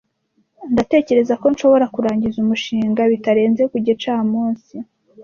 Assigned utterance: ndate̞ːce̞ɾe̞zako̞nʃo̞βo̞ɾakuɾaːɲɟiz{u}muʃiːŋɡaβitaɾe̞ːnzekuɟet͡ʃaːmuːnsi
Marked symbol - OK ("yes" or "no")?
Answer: yes